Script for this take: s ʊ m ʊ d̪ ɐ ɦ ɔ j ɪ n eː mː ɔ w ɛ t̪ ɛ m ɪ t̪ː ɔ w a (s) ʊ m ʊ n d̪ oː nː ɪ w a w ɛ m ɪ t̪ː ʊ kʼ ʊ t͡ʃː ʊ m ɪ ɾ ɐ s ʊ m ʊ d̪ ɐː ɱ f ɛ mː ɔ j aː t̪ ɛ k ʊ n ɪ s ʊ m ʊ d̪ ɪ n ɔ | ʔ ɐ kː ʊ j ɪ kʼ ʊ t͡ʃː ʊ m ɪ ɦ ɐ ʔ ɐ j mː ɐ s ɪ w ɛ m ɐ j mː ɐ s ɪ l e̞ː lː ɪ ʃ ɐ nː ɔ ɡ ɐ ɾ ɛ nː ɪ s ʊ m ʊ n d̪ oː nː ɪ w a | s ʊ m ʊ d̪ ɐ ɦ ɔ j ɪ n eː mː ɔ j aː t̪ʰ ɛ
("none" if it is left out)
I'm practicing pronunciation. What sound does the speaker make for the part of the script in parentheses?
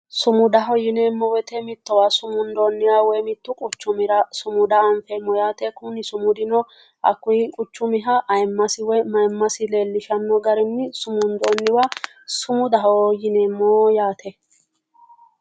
s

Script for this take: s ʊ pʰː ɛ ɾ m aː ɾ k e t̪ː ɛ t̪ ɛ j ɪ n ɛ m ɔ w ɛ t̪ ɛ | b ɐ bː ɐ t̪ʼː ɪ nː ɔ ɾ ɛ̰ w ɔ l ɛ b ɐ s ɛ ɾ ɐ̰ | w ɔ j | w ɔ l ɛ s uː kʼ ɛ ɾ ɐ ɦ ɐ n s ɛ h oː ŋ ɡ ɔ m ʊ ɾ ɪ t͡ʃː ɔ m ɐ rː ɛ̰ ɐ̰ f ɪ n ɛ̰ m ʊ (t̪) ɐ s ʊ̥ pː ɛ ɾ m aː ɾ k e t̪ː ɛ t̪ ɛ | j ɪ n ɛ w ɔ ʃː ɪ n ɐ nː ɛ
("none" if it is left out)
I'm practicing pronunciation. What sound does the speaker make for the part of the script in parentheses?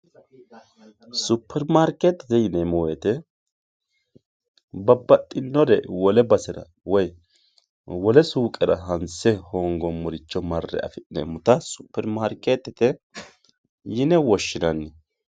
t̪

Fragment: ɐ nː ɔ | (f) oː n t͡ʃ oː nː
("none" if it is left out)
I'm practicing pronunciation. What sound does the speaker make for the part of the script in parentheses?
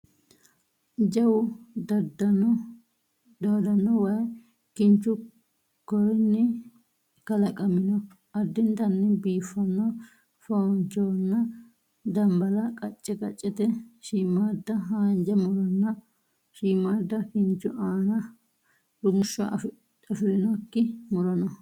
f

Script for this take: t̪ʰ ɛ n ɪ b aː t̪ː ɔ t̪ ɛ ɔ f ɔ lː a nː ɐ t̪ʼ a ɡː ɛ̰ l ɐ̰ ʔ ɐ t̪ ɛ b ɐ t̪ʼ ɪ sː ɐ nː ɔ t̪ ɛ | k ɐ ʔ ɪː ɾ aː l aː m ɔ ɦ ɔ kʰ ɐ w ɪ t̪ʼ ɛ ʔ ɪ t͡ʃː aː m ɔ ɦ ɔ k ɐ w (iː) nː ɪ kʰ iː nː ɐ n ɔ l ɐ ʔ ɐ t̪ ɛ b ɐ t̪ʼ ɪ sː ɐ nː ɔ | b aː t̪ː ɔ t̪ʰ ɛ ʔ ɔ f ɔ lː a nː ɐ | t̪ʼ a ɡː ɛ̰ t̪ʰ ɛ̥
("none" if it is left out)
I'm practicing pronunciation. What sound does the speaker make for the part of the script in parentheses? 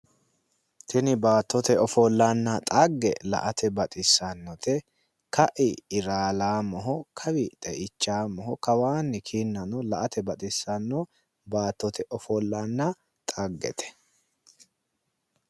aː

